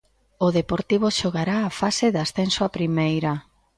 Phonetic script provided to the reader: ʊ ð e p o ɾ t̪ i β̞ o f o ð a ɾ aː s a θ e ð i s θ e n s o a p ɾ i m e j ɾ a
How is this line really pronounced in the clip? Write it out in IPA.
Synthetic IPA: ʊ ð e p o ɾ t̪ i β̞ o ʃ o ɣ a ɾ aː f a s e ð a s θ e n s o a p ɾ i m e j ɾ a

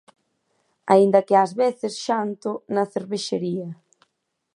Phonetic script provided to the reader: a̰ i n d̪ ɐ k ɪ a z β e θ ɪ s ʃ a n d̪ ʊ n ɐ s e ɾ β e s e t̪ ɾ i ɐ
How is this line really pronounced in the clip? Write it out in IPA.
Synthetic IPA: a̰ i n d̪ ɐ k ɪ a z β e θ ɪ s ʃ a n t̪ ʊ n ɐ θ e ɾ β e ʃ e ɾ i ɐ

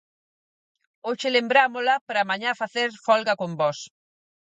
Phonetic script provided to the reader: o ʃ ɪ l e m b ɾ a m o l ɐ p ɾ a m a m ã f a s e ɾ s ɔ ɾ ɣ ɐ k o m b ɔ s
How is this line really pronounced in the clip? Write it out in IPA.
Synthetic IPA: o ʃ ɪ l e m b ɾ a m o l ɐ p ɾ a m a ɲ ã f a θ e ɾ f ɔ l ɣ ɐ k o m b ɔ s

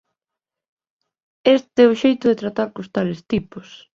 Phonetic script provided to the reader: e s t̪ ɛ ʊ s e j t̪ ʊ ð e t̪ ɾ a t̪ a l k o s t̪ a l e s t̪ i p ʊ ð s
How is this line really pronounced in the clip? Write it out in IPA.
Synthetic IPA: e s t̪ ɛ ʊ ʃ e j t̪ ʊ ð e t̪ ɾ a t̪ a ɾ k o s t̪ a l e s t̪ i p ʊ s

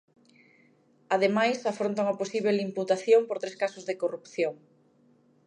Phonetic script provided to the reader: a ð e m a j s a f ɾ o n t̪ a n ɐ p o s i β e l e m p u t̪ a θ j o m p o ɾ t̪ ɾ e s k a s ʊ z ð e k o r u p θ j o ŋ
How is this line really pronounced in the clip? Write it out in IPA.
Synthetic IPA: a ð e m a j s a f ɾ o n t̪ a ŋ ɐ p o s i β e l i m p u t̪ a θ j o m p o ɾ t̪ ɾ e s k a s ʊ z ð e k o r u p θ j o ŋ

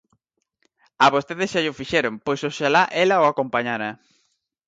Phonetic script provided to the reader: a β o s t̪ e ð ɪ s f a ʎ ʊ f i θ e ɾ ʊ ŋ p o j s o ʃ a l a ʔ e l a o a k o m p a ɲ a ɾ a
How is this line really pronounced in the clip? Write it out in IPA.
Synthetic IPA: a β o s t̪ e ð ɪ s ʃ a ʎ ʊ f i ʃ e ɾ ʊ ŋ p o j s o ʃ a l a ʔ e l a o a k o m p a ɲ a ɾ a

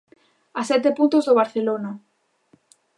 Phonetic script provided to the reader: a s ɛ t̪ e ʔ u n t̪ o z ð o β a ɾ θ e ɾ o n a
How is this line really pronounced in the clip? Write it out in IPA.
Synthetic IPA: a s ɛ t̪ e p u n t̪ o z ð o β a ɾ θ e l o n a

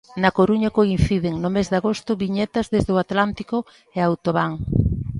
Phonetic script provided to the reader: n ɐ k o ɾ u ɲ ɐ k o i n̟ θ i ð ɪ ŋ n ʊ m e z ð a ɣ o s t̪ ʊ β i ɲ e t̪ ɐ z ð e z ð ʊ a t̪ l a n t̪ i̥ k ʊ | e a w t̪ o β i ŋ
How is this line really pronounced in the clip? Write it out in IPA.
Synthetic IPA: n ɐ k o ɾ u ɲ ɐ k o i n̟ θ i ð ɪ ŋ n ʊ m e z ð a ɣ o s t̪ ʊ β i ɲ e t̪ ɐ z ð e z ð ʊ a t̪ l a n t̪ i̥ k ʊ | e a w t̪ o β a ŋ

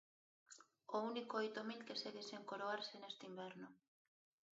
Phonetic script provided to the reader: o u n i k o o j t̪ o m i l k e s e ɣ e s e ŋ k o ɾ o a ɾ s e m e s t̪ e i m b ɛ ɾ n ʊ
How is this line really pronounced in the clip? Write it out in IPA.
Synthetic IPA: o u n i k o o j t̪ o m i l k e s e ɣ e s e ŋ k o ɾ o a ɾ s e n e s t̪ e i m b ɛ ɾ n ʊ

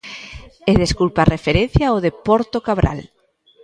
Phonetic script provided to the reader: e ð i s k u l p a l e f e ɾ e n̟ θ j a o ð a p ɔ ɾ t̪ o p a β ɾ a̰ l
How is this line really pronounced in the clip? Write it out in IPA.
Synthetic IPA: e ð e s k u l p a r e f e ɾ e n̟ θ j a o ð e p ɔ ɾ t̪ o k a β ɾ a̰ l

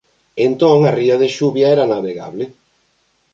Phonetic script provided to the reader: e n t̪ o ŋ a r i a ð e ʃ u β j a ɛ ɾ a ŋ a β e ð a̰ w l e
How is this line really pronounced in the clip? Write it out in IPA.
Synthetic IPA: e n t̪ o ŋ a r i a ð e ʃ u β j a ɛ ɾ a n a β e ɣ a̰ β l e

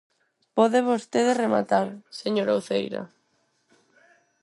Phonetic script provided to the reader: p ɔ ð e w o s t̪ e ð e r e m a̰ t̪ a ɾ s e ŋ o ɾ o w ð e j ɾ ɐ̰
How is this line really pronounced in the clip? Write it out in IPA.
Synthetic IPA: p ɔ ð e β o s t̪ e ð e r e m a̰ t̪ a ɾ s e ɲ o ɾ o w θ e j ɾ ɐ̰

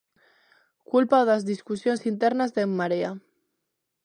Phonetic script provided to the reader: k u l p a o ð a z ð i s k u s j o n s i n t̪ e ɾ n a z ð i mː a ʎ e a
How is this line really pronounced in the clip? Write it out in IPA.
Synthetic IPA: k u l p a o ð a z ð i s k u s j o n s i n t̪ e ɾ n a z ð e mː a ɾ e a

